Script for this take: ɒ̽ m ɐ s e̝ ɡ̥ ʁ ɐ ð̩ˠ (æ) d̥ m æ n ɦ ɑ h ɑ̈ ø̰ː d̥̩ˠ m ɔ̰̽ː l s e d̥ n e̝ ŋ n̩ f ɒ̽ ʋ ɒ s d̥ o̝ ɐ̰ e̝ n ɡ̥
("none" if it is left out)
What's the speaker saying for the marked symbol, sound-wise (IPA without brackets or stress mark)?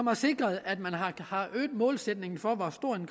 æ